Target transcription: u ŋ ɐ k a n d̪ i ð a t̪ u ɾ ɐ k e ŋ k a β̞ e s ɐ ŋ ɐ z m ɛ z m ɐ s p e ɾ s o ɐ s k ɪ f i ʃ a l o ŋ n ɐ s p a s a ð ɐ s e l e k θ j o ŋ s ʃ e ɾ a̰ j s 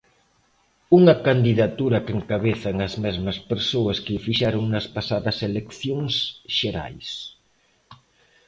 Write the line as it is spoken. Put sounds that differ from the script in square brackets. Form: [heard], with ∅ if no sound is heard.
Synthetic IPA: u ŋ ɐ k a n d̪ i ð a t̪ u ɾ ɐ k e ŋ k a β̞ e [θ] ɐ ŋ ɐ z m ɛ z m ɐ s p e ɾ s o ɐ s k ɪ f i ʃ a [ɾ] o ŋ n ɐ s p a s a ð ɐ s e l e k θ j o ŋ s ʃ e ɾ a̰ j s